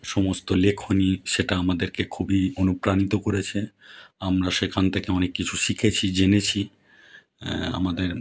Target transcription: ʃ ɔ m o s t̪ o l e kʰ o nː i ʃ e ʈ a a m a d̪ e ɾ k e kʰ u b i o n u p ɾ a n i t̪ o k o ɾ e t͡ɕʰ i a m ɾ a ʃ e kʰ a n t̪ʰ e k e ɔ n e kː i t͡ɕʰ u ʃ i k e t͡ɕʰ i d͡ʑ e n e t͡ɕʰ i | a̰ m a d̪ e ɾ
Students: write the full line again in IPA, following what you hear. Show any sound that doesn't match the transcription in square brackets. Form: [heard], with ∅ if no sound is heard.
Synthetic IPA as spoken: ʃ ɔ m o s t̪ o l e kʰ o [n] i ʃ e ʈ a a m a d̪ e ɾ k e kʰ u b i o n u p ɾ a n i t̪ o k o ɾ e t͡ɕʰ [e] a m ɾ a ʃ e kʰ a n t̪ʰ e k e ɔ n e kː i t͡ɕʰ u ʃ i [kʰ] e t͡ɕʰ i d͡ʑ e n e t͡ɕʰ i | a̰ m a d̪ e ɾ